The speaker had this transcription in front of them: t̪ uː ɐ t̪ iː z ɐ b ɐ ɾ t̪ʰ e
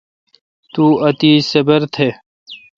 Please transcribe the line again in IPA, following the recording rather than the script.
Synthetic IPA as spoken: t̪ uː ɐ t̪ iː s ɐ b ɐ ɾ t̪ʰ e